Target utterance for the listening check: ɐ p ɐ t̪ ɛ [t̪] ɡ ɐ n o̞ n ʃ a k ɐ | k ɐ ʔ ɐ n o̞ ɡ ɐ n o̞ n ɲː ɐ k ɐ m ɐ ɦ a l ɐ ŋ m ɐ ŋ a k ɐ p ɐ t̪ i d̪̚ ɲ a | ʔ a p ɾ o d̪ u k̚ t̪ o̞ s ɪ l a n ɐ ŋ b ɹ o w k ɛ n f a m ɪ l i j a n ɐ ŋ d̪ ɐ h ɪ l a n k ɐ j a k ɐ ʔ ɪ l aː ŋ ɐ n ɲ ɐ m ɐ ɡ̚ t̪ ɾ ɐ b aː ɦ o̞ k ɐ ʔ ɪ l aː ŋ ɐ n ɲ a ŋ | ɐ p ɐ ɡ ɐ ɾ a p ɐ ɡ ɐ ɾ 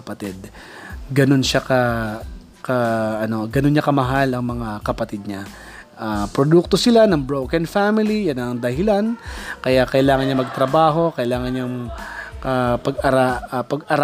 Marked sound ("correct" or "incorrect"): incorrect